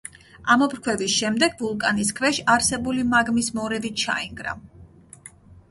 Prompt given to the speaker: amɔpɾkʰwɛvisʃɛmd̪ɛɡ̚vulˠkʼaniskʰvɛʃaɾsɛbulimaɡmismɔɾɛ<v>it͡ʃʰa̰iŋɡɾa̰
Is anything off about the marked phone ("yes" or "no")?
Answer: no